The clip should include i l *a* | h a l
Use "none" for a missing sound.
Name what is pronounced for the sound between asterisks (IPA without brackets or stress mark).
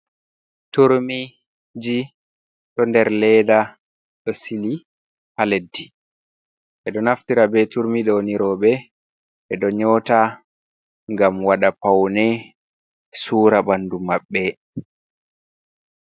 i